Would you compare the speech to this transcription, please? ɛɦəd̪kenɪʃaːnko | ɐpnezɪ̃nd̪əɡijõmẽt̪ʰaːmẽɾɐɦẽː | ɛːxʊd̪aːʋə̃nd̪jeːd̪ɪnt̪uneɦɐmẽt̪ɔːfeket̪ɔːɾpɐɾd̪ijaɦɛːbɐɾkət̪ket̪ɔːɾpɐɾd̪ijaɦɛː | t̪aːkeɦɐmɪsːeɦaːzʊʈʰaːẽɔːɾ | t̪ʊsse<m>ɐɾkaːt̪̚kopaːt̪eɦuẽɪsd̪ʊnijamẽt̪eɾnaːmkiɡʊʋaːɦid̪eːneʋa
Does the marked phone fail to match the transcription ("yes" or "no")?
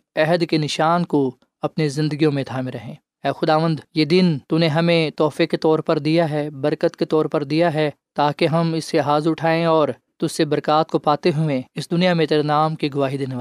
yes